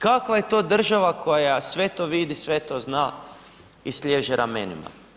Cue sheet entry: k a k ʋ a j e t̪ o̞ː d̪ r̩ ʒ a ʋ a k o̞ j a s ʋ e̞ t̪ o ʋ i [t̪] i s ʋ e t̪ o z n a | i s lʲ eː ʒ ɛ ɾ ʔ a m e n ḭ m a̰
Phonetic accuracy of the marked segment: incorrect: d̪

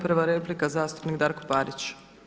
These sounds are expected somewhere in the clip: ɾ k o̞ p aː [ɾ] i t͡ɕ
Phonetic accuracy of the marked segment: correct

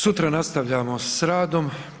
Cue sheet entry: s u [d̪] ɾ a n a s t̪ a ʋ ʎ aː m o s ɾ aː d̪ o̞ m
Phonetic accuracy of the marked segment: incorrect: t̪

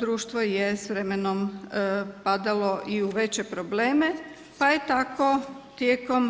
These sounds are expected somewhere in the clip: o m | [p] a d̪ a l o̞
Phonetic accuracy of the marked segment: correct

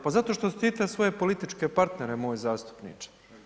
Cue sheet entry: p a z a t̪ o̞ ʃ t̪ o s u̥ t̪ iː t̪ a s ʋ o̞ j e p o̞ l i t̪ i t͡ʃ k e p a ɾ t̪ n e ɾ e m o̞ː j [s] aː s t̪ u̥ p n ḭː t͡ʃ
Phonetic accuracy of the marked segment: incorrect: z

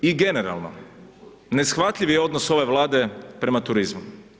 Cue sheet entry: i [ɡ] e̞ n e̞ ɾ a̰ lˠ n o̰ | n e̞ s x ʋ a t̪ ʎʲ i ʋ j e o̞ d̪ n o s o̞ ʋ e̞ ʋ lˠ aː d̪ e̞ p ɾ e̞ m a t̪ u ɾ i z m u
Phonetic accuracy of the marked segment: correct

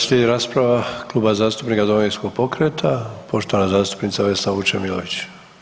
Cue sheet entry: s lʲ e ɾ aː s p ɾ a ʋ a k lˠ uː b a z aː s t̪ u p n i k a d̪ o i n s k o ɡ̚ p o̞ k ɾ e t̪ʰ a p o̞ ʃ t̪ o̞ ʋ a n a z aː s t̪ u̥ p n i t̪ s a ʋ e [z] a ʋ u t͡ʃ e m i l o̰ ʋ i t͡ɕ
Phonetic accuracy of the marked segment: incorrect: s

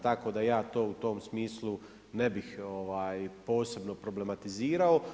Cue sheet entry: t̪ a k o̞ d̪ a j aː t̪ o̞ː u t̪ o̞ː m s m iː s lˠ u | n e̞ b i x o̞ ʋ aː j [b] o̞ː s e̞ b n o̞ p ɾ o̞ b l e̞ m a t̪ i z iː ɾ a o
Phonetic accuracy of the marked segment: incorrect: p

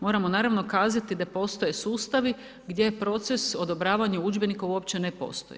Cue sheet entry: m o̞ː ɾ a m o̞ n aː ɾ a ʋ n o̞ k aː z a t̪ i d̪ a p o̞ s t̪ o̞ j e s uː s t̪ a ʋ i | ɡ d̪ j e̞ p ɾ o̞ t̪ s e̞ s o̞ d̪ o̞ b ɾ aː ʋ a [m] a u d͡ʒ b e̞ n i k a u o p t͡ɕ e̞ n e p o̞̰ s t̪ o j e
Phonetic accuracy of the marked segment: incorrect: ɲ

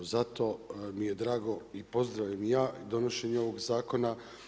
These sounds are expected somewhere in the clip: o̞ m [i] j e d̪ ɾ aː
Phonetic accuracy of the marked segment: correct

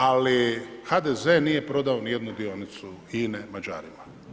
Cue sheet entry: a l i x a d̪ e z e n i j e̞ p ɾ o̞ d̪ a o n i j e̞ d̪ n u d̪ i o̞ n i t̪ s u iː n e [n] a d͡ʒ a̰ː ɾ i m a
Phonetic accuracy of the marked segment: incorrect: m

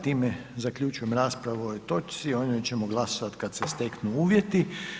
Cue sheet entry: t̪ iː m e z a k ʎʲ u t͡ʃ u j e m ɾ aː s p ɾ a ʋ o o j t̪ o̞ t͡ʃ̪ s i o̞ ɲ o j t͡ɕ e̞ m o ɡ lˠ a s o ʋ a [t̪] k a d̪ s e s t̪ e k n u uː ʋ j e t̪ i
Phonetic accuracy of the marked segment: correct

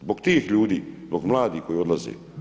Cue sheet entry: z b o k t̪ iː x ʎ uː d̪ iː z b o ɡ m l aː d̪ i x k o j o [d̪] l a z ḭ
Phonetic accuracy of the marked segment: correct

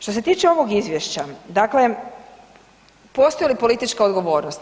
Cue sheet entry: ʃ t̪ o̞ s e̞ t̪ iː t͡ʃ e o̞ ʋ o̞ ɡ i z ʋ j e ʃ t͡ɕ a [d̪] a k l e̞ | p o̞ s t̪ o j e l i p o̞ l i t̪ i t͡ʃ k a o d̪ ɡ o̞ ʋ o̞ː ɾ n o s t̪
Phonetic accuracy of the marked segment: correct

